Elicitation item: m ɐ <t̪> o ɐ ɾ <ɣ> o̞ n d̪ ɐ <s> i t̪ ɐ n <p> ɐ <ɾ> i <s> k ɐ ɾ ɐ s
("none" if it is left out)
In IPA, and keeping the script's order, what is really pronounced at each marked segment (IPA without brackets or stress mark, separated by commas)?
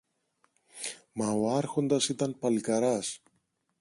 none, x, s, p, l, none